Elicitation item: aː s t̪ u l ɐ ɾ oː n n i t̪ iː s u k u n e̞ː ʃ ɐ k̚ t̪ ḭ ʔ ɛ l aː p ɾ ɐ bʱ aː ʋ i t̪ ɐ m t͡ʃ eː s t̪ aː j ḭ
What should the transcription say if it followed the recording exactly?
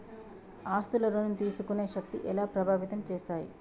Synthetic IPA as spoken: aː s t̪ u l ɐ ɾ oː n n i t̪ iː s u k u n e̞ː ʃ ɐ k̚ t̪ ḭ ʔ ɛ l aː p ɾ ɐ bʱ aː ʋ i t̪ ɐ m t͡ʃ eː s t̪ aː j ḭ

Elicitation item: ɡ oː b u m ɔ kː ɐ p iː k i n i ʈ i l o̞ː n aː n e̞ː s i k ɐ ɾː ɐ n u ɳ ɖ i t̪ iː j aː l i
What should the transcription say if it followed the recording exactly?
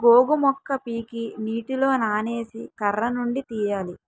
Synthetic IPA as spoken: ɡ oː ɡ u m ɔ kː ɐ p iː k i n iː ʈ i l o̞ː n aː n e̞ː s i k ɐ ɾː ɐ n u ɳ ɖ i t̪ iː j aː l i

